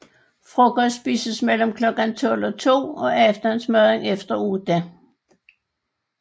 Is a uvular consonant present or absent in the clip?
present